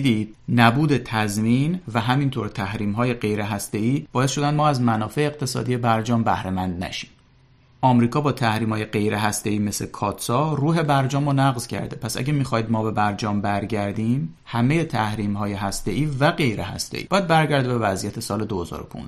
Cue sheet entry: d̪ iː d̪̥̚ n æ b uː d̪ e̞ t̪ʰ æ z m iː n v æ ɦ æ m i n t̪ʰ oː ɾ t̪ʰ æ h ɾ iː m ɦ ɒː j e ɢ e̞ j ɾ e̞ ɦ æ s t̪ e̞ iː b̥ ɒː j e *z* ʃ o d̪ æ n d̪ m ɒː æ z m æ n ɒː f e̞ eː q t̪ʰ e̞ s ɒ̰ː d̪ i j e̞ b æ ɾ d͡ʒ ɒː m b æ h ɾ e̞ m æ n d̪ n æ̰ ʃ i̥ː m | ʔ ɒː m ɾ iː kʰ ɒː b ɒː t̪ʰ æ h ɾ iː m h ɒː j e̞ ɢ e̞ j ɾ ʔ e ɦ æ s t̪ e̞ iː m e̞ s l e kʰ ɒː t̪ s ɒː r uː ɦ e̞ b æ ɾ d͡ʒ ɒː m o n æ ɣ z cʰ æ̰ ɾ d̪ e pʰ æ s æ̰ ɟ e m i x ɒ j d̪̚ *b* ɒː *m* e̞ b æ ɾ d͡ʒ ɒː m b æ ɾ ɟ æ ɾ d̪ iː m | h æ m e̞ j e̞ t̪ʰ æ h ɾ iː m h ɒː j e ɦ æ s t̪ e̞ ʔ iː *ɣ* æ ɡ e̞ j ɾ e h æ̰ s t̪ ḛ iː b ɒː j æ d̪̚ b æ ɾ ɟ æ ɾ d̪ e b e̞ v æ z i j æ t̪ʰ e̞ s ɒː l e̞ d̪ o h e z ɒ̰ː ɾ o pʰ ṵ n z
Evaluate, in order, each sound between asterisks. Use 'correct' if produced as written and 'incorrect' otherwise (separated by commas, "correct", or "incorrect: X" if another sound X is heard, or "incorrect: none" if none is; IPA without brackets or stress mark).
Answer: incorrect: s, incorrect: m, incorrect: b, incorrect: v